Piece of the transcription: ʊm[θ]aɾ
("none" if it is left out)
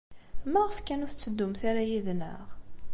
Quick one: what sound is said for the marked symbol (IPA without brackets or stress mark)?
θ